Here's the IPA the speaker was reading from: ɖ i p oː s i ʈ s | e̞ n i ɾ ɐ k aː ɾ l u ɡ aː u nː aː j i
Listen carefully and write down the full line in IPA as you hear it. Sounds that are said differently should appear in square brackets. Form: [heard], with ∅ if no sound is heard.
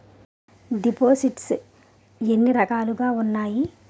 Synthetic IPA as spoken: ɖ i p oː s i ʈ s | e̞ [nː] i ɾ ɐ k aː [∅] l u ɡ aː u nː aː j i